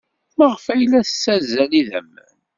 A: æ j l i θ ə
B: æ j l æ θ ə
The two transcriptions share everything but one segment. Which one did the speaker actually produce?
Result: B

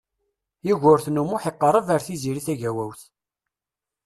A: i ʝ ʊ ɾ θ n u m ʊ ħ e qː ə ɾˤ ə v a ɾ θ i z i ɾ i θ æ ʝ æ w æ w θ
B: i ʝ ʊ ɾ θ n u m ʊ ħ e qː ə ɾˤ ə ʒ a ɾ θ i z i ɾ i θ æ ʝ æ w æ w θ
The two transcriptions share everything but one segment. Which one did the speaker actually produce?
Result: A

